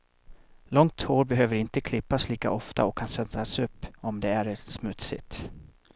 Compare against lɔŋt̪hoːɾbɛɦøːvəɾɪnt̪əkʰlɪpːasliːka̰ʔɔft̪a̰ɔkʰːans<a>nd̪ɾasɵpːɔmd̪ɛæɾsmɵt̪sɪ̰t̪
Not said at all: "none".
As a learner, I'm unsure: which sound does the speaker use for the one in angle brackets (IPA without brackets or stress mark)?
ɛ